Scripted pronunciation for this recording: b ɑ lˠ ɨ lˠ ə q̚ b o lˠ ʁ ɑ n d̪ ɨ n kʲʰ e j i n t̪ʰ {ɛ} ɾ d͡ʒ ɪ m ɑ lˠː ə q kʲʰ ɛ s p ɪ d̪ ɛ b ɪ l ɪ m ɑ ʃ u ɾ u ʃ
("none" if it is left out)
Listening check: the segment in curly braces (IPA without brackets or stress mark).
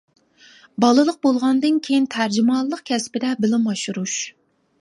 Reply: æ